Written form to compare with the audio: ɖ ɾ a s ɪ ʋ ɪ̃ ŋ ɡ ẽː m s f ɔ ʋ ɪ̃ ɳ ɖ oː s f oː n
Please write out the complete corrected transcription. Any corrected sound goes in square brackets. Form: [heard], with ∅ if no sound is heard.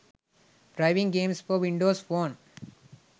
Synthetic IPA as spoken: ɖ ɾ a [∅] ɪ ʋ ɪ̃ ŋ ɡ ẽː m s f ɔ ʋ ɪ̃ ɳ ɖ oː s f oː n